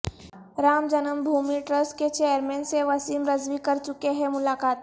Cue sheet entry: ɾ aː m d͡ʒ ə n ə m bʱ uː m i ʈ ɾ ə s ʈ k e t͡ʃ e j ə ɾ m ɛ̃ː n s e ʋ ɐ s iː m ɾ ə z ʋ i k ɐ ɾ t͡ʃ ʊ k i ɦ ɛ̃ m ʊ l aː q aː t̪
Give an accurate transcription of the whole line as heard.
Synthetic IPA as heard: ɾ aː m d͡ʒ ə n ə m bʱ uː m i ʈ ɾ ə s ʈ k e t͡ʃ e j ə ɾ m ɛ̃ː n s e ʋ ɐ s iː m ɾ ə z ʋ i k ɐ ɾ t͡ʃ ʊ k e ɦ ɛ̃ m ʊ l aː k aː t̪